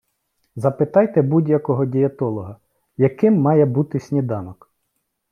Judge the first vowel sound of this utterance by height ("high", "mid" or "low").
low